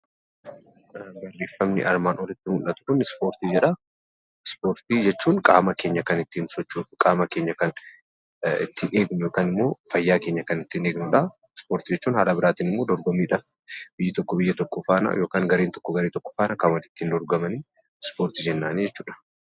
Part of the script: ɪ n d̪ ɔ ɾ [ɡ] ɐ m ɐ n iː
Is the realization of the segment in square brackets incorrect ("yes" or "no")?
no